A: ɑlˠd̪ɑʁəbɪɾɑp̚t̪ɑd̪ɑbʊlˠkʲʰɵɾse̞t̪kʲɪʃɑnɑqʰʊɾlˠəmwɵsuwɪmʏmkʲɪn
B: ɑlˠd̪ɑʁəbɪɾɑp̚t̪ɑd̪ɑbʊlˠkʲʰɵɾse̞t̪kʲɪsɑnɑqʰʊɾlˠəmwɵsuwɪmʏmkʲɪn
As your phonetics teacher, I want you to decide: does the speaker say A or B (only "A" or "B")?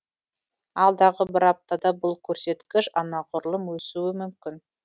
A